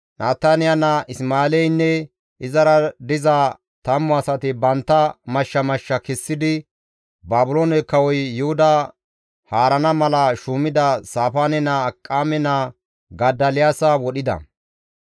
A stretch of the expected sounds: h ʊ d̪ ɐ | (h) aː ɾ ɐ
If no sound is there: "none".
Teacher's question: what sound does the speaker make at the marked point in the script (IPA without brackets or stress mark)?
h